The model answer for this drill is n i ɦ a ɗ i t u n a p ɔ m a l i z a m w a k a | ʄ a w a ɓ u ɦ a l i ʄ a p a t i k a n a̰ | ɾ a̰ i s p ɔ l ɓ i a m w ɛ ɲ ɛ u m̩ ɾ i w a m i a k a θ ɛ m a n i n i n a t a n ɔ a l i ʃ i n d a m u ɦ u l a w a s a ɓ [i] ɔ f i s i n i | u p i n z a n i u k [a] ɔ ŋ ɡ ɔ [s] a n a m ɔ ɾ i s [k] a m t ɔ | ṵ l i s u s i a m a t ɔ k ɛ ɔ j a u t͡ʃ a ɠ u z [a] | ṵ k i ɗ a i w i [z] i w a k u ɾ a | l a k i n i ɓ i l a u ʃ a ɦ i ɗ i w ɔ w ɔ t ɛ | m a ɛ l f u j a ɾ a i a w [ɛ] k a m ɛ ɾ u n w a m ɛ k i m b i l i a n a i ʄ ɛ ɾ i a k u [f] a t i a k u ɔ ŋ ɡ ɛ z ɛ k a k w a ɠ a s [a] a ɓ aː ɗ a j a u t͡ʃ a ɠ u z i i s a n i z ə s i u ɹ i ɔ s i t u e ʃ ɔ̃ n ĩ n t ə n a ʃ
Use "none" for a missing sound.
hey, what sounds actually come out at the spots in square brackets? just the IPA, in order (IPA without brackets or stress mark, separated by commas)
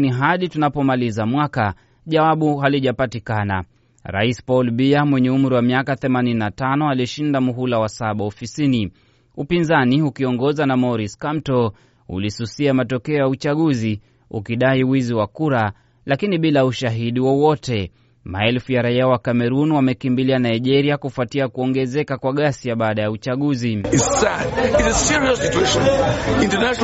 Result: a, i, z, k, i, z, a, f, i